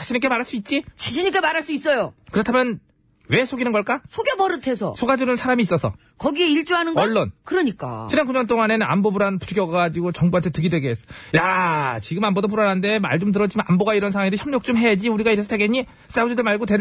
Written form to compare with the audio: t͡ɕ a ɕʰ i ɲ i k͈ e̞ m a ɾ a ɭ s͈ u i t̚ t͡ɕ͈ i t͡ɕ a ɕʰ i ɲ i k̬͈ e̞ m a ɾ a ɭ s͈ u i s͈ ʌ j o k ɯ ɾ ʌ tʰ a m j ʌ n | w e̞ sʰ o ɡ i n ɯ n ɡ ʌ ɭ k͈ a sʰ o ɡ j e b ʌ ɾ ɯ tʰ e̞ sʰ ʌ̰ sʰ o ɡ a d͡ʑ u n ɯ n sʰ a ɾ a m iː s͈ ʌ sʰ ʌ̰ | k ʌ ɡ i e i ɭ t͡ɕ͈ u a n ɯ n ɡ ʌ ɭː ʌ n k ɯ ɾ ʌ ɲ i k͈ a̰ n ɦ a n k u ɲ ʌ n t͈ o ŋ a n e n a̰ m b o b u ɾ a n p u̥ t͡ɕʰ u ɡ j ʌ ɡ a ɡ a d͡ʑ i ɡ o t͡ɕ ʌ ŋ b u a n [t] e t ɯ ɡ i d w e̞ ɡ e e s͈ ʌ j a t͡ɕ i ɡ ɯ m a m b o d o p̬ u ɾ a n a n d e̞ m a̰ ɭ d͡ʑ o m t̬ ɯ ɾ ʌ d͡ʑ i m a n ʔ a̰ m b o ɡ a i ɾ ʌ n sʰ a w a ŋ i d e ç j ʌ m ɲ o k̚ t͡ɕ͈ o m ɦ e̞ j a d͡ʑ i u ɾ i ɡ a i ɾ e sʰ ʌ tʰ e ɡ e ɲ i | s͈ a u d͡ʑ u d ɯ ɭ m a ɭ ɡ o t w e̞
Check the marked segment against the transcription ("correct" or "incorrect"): incorrect